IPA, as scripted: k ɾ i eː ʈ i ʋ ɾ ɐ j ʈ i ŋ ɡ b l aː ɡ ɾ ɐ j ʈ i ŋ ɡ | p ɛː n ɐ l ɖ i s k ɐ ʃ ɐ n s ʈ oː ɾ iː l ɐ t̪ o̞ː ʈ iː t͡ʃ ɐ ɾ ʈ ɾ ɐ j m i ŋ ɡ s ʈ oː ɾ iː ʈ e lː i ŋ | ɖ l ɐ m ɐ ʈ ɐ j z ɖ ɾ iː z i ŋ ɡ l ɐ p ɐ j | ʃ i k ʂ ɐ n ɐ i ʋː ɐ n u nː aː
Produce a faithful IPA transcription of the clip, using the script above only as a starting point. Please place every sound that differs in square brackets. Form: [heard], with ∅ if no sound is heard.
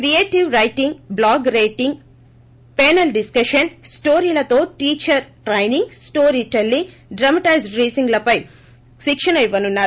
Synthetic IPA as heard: k ɾ i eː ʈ i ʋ ɾ ɐ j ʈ i ŋ ɡ b l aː ɡ ɾ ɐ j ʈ i ŋ ɡ | p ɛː n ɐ l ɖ i s k ɐ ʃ ɐ n s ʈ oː ɾ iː l ɐ t̪ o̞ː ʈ iː t͡ʃ ɐ ɾ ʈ ɾ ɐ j [n] i ŋ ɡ s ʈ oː ɾ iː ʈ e lː i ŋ | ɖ [ɾ] ɐ m ɐ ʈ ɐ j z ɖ ɾ iː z i ŋ ɡ l ɐ p ɐ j | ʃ i k ʂ ɐ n ɐ i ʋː ɐ n u nː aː